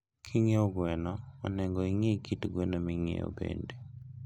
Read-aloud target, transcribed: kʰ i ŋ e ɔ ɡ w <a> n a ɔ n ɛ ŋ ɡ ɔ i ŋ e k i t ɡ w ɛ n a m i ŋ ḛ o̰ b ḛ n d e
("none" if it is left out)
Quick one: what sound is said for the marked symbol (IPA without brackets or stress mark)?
ɛ